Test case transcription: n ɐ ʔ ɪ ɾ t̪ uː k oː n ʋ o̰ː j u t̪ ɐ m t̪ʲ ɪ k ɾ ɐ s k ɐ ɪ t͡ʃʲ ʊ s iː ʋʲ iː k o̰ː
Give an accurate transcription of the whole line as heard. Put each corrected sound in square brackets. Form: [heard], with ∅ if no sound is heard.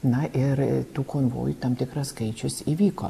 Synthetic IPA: n ɐ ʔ ɪ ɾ t̪ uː k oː n ʋ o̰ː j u t̪ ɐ m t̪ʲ ɪ k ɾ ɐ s k ɐ ɪ t͡ʃʲ ʊ s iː ʋʲ iː k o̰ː

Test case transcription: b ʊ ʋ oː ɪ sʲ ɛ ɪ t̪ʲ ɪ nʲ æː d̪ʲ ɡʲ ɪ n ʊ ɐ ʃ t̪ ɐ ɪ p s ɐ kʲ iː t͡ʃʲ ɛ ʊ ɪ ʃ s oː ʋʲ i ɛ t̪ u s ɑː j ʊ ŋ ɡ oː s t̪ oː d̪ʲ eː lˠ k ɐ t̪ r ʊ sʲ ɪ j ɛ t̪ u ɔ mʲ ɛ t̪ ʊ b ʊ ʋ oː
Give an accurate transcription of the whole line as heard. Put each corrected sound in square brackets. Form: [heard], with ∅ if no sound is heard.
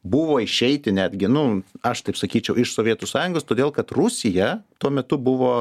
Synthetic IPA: b ʊ ʋ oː ɪ [ʃʲ] ɛ ɪ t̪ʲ ɪ nʲ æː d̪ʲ ɡʲ ɪ n ʊ ɐ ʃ t̪ ɐ ɪ p s ɐ kʲ iː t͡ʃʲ ɛ ʊ ɪ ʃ s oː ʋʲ i ɛ t̪ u s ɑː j ʊ ŋ ɡ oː s t̪ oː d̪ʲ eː lˠ k ɐ t̪ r ʊ sʲ ɪ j ɛ t̪ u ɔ mʲ ɛ t̪ ʊ b ʊ ʋ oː

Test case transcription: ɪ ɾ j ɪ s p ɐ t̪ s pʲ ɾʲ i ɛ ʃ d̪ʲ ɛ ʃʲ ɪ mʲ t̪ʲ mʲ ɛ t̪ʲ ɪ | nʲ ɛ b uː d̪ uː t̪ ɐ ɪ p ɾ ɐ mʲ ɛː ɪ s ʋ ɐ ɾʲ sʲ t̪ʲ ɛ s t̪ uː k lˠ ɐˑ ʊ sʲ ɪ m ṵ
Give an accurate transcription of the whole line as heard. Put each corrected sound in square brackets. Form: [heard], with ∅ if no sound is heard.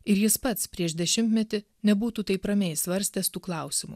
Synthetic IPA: ɪ ɾ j ɪ s p ɐ t̪ s pʲ ɾʲ i ɛ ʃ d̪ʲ ɛ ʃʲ ɪ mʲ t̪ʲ mʲ ɛ t̪ʲ ɪ | nʲ ɛ b uː [t̪] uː t̪ ɐ ɪ p ɾ ɐ mʲ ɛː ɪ s ʋ ɐ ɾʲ sʲ t̪ʲ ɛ s t̪ uː k lˠ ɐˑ ʊ sʲ ɪ m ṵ

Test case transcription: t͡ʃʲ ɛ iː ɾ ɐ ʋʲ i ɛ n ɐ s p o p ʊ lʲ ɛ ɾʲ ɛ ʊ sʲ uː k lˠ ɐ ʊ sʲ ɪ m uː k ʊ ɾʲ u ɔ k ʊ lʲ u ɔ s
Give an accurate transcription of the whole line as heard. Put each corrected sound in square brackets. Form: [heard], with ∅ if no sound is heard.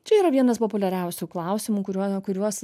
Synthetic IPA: t͡ʃʲ ɛ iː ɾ ɐ ʋʲ i ɛ n ɐ s p o p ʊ lʲ ɛ ɾʲ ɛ ʊ sʲ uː k lˠ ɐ ʊ sʲ ɪ m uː k ʊ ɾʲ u ɔ k ʊ [ɾʲ] u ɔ s

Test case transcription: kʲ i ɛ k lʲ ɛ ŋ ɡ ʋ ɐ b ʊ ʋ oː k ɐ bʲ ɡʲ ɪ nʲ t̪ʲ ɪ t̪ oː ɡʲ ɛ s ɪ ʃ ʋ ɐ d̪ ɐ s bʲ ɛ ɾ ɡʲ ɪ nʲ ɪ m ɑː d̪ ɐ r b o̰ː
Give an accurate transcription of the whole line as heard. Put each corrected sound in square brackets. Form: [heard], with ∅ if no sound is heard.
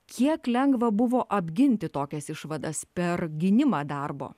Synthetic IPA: kʲ i ɛ k lʲ ɛ ŋ ɡ ʋ ɐ b ʊ ʋ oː [ʔ] ɐ bʲ ɡʲ ɪ nʲ t̪ʲ ɪ t̪ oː [kʲ] ɛ s ɪ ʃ ʋ ɐ d̪ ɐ s [pʲ] ɛ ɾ ɡʲ ɪ nʲ ɪ m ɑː d̪ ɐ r b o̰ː

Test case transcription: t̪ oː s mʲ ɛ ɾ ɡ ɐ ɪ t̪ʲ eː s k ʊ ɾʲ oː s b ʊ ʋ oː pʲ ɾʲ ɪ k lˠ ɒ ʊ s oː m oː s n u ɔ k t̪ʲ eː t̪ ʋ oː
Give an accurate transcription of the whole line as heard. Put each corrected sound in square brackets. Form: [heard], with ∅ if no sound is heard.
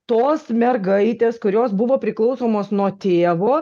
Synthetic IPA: t̪ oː s mʲ ɛ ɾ ɡ ɐ ɪ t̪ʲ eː s k ʊ ɾʲ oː s b ʊ ʋ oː pʲ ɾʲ ɪ k lˠ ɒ ʊ s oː m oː s n u ɔ [∅] t̪ʲ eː [∅] ʋ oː

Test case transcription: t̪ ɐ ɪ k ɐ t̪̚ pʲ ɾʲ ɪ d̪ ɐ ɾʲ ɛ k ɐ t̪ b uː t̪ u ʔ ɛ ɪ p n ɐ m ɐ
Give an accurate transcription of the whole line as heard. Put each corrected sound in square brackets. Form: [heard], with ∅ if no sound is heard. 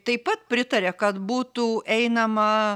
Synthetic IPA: t̪ ɐ ɪ [p] ɐ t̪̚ pʲ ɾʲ ɪ [t̪] ɐ ɾʲ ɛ k ɐ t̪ b uː t̪ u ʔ ɛ ɪ [∅] n ɐ m ɐ

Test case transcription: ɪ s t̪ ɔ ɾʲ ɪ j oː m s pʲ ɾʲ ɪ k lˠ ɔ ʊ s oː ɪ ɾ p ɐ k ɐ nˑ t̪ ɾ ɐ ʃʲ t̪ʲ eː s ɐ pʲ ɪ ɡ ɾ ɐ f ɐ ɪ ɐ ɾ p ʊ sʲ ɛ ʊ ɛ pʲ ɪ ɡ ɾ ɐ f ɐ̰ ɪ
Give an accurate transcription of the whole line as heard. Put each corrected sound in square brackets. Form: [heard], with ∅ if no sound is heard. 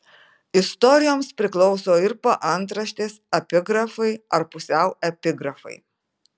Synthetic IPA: ɪ s t̪ ɔ ɾʲ ɪ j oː m s pʲ ɾʲ ɪ k lˠ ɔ ʊ s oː ɪ ɾ p ɐ [ʔ] ɐ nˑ t̪ ɾ ɐ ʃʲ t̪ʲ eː s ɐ pʲ ɪ ɡ ɾ ɐ f ɐ ɪ ɐ ɾ p ʊ sʲ ɛ ʊ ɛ pʲ ɪ ɡ ɾ ɐ f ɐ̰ ɪ

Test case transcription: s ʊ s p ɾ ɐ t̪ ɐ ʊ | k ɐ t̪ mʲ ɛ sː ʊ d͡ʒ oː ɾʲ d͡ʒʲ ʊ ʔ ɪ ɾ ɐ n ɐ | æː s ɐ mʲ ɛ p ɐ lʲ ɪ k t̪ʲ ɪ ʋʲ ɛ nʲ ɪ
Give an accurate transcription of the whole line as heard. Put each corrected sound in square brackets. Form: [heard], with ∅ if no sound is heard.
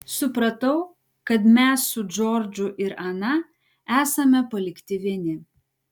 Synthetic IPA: s ʊ [∅] p ɾ ɐ t̪ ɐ ʊ | k ɐ t̪ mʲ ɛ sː ʊ d͡ʒ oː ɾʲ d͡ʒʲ ʊ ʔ ɪ ɾ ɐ n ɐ | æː s ɐ mʲ ɛ p ɐ lʲ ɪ k t̪ʲ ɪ ʋʲ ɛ nʲ ɪ

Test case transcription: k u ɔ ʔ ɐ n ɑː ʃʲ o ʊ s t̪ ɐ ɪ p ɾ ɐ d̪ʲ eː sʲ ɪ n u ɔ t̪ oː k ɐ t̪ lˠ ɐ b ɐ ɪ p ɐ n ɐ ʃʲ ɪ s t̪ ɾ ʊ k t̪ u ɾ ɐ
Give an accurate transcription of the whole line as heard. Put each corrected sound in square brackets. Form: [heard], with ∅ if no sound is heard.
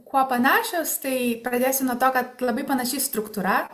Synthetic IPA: k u ɔ [p] ɐ n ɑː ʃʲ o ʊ s t̪ ɐ ɪ p ɾ ɐ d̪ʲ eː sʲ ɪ n u ɔ t̪ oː k ɐ t̪ lˠ ɐ b ɐ ɪ p ɐ n ɐ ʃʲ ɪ s t̪ ɾ ʊ k t̪ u ɾ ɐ

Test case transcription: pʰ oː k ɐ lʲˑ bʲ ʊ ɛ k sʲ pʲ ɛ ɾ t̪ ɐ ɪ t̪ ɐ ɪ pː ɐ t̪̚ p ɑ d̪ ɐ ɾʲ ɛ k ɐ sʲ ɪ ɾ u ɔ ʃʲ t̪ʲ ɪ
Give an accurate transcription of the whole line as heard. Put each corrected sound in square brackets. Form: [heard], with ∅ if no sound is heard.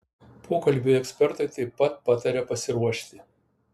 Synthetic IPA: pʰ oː k ɐ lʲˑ bʲ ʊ ɛ k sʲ pʲ ɛ ɾ t̪ ɐ ɪ t̪ ɐ ɪ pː ɐ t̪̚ p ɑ [t̪] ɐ ɾʲ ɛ [p] ɐ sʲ ɪ ɾ u ɔ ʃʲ t̪ʲ ɪ

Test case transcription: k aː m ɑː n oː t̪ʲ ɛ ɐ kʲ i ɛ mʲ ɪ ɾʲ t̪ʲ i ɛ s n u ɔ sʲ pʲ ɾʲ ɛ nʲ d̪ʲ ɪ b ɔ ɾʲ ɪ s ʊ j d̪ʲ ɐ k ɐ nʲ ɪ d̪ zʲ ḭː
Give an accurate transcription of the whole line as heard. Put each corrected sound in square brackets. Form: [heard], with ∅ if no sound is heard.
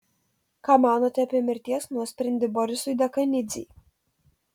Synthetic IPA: k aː m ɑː n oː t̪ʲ ɛ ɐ [pʲ] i ɛ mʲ ɪ ɾʲ t̪ʲ i ɛ s n u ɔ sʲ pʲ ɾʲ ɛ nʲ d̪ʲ ɪ b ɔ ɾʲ ɪ s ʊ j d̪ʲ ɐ k ɐ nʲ ɪ d̪ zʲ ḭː

